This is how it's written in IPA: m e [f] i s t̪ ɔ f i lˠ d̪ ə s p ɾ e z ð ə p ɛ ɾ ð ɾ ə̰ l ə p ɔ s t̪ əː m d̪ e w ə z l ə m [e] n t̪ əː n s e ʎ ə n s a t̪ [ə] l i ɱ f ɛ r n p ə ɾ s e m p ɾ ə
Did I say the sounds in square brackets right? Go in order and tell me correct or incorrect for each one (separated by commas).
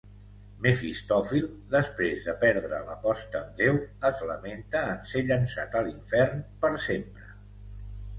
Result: correct, correct, correct